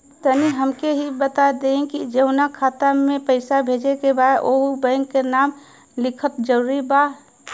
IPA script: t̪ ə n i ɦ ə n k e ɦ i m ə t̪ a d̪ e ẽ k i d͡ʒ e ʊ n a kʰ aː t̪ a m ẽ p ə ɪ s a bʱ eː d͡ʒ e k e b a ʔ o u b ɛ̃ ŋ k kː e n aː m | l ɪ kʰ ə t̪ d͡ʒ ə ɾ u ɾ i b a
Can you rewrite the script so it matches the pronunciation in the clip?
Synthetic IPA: t̪ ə n i ɦ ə m k e ɦ i b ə t̪ a d̪ e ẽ k i d͡ʒ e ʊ n a kʰ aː t̪ a m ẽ p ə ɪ s a bʱ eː d͡ʒ e k e b a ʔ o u b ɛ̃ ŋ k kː e n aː m | l ɪ kʰ ə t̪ d͡ʒ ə ɾ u ɾ i b a

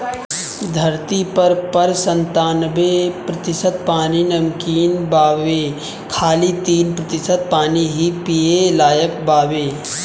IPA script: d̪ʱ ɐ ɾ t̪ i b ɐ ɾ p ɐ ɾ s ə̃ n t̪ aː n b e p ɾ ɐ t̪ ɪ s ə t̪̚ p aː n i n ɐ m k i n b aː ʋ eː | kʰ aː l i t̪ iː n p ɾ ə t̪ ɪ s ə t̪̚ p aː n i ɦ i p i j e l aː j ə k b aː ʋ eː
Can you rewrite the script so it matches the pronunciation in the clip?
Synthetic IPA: d̪ʱ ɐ ɾ t̪ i p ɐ ɾ p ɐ ɾ s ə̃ n t̪ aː n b e p ɾ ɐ t̪ ɪ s ə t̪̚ p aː n i n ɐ m k iː n b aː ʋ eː | kʰ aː l i t̪ iː n p ɾ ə t̪ ɪ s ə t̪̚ p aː n i ɦ i p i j e l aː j ə k b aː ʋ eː

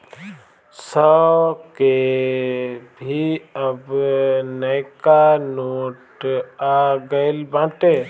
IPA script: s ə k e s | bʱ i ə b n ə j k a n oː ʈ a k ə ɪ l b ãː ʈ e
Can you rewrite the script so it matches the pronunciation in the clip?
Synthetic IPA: s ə k e | bʱ i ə b n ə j k a n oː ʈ a ɡ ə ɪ l b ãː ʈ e

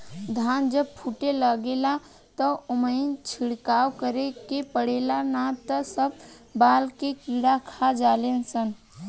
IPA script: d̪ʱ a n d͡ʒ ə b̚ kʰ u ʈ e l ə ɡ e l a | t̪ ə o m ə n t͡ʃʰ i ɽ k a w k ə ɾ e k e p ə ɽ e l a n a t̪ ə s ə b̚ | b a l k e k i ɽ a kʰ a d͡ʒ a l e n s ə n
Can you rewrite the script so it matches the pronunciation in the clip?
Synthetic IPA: d̪ʱ a n d͡ʒ ə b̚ pʰ u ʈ e l ə ɡ e l a | t̪ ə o m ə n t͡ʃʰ i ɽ k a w k ə ɾ e k e p ə ɽ e l a n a t̪ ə s ə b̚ | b a l k e k i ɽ a kʰ a d͡ʒ a l e n s ə n

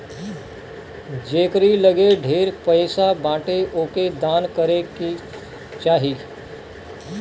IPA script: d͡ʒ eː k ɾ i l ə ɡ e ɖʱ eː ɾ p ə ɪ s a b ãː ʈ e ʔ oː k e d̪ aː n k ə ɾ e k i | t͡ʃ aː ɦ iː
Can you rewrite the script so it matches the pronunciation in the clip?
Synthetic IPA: d͡ʒ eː k ɾ i l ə ɡ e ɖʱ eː ɾ p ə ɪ s a b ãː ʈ e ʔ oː k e d̪ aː n k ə ɾ e k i | t͡ʃ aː ɦ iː

